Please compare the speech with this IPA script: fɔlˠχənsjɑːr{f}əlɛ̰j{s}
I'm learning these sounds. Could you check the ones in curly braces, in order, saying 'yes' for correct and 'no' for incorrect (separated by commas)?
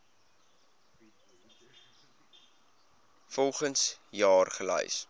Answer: no, yes